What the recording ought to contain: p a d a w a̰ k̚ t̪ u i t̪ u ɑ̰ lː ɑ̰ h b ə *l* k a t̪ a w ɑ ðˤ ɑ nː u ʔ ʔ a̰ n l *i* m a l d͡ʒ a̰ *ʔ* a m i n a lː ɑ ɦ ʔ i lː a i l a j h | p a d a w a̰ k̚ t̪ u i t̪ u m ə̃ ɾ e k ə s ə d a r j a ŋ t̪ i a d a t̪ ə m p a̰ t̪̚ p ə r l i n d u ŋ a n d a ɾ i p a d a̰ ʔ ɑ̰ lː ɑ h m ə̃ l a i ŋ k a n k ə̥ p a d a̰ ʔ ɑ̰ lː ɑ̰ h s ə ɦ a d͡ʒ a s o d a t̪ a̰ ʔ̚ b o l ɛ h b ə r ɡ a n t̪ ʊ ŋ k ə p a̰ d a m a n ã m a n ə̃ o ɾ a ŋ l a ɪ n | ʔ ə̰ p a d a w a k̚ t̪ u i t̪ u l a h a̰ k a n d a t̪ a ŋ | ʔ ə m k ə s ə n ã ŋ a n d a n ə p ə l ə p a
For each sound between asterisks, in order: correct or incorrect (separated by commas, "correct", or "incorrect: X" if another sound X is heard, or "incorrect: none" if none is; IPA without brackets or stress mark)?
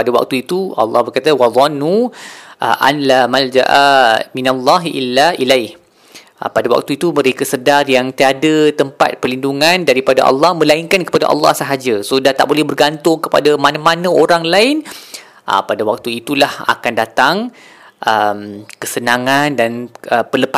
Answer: incorrect: r, incorrect: a, correct